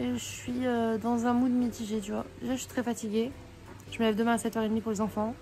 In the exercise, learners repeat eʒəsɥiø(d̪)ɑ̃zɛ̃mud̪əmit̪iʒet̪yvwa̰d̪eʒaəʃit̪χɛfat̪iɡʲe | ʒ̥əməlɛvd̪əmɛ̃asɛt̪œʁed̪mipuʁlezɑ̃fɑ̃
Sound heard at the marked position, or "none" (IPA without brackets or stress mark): d̪